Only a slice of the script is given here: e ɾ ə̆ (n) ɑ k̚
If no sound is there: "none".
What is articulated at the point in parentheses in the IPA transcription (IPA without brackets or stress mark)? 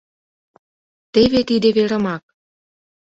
m